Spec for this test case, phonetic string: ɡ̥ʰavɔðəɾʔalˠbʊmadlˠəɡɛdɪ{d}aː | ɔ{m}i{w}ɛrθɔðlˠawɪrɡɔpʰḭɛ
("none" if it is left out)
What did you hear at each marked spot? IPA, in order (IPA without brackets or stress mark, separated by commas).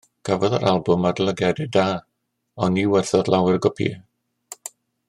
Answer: d, n, w